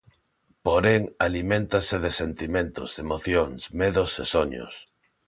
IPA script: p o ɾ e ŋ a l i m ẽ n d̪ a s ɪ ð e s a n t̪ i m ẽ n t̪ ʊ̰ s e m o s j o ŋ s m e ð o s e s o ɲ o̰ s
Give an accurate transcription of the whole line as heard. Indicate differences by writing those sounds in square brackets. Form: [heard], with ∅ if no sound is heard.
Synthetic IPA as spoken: p o ɾ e ŋ a l i m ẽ n [t̪] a s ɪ ð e s [e] n t̪ i m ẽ n t̪ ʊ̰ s e m o [θ] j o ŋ s m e ð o s e s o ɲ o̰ s